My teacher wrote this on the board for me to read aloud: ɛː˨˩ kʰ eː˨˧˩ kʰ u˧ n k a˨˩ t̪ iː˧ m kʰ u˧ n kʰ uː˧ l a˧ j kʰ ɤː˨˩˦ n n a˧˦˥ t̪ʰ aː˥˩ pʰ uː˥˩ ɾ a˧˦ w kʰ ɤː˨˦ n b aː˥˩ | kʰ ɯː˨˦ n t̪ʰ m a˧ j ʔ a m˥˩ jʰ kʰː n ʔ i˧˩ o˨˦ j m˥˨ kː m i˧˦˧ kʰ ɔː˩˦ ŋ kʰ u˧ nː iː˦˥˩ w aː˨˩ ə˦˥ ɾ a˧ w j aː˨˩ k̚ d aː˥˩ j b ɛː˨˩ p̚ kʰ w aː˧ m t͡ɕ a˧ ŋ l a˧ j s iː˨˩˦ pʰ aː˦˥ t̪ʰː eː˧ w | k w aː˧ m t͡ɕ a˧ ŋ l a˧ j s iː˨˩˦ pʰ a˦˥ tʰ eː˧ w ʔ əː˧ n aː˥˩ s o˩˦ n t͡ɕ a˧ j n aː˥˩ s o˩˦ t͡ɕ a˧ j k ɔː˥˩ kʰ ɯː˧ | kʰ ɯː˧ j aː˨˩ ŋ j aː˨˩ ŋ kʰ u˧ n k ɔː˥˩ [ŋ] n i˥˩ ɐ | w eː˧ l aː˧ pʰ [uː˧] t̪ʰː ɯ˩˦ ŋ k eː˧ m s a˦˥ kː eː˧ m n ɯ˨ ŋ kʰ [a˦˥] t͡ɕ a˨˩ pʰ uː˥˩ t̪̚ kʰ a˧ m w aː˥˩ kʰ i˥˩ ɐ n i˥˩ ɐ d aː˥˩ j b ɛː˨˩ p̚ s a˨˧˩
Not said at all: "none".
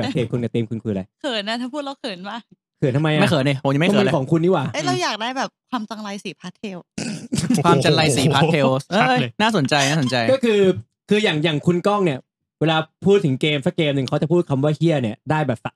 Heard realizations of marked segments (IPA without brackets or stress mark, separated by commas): ŋ, uː˥˩, a˦˥